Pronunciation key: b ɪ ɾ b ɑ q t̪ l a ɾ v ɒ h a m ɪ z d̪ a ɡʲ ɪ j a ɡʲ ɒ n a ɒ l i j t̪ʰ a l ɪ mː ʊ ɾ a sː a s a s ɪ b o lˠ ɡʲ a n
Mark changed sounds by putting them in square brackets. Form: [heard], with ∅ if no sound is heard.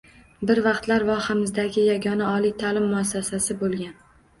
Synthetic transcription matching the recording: b ɪ ɾ [v] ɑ q t̪ l a ɾ v ɒ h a m ɪ z d̪ a ɡʲ ɪ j a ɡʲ ɒ n a ɒ l i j t̪ʰ a l ɪ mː ʊ [∅] a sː a s a s ɪ b o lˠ ɡʲ a n